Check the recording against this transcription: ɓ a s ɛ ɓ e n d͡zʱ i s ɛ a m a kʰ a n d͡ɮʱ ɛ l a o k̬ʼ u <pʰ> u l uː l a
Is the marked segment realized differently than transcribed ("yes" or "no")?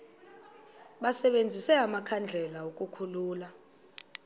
yes